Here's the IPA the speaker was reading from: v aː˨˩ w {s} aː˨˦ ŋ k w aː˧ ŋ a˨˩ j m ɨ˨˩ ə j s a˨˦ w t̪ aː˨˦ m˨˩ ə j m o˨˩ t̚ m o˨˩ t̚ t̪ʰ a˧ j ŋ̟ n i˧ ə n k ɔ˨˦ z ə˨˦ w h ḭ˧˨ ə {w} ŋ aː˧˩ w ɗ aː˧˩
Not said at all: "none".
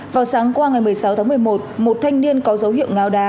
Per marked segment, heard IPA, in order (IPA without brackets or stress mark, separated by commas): s, w